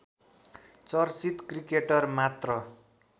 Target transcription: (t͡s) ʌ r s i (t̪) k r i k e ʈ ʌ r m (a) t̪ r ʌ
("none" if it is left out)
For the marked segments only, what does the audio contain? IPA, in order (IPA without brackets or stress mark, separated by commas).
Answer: t͡s, t̪, a